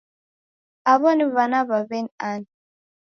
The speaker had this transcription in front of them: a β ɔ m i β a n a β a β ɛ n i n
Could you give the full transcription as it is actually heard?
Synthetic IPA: a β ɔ n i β a n a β a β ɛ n a n